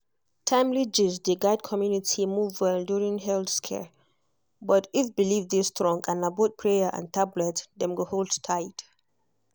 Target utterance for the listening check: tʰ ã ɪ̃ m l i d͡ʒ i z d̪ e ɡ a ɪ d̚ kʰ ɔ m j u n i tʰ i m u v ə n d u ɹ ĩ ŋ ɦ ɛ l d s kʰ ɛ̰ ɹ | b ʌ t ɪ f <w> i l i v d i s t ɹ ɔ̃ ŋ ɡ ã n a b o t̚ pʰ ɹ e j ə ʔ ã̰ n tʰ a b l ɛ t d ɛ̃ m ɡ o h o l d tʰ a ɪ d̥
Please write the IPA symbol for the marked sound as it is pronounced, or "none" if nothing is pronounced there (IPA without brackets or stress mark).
b